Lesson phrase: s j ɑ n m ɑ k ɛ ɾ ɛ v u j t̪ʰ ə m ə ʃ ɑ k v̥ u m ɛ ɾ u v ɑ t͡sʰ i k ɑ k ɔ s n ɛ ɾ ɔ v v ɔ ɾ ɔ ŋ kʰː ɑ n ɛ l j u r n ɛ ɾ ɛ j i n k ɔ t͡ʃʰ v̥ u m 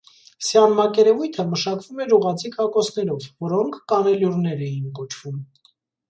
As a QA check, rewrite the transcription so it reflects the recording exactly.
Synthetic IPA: s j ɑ n m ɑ k ɛ ɾ ɛ v u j t̪ʰ ə m ə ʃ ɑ k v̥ u m ɛ ɾ u ʁ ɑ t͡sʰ i k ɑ k ɔ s n ɛ ɾ ɔ v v ɔ ɾ ɔ ŋ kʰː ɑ n ɛ l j u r n ɛ ɾ ɛ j i n k ɔ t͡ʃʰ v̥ u m